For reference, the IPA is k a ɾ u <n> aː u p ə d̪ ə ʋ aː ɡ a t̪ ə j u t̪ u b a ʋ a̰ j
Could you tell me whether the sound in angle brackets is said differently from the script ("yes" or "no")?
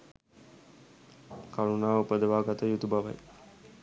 no